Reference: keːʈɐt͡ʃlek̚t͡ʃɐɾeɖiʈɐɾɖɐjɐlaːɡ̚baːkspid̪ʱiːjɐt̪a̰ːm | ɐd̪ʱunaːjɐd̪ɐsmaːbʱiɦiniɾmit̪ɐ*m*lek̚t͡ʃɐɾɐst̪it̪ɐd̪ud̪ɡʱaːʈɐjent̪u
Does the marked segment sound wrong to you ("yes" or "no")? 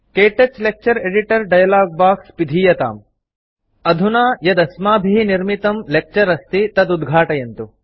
no